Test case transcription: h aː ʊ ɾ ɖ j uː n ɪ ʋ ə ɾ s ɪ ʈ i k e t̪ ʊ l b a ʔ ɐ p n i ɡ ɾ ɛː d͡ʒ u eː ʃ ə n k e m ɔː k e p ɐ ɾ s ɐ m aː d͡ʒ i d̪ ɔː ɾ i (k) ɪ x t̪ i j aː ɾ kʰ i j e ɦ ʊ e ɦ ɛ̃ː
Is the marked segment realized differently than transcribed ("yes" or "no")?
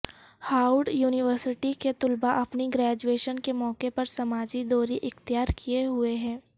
yes